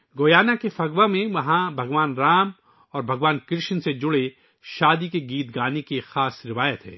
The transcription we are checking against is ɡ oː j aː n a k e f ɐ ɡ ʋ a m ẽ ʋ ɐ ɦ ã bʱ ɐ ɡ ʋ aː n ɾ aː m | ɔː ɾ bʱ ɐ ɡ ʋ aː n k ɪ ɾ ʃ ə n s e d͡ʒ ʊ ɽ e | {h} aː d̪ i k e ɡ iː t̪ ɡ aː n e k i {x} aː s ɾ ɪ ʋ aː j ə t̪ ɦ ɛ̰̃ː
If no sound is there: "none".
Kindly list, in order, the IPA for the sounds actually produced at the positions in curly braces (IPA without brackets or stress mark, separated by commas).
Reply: ʃ, x